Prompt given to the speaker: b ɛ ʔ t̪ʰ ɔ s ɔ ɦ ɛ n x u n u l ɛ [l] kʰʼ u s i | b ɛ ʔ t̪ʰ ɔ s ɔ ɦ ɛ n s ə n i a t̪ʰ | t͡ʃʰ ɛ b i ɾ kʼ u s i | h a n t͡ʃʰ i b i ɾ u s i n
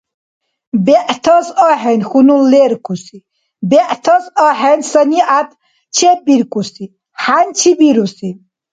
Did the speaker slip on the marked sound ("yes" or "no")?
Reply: yes